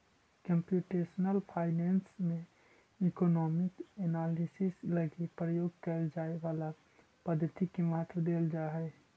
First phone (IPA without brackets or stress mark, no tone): k